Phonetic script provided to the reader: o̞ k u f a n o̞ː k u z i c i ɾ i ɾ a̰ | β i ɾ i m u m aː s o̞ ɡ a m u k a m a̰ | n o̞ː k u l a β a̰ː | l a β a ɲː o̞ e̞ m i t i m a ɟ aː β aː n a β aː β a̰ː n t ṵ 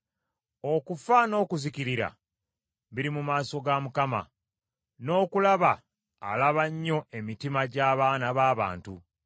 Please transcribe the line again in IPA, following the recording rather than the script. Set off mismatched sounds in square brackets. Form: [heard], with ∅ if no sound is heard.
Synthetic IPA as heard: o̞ k u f a n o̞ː k u z i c i ɾ i ɾ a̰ | β i ɾ i m u m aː s o̞ ɡ a m u k a m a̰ | n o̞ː k u l a β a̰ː | l a β a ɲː o̞ e̞ m i t i m a ɟ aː β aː n a β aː β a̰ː n t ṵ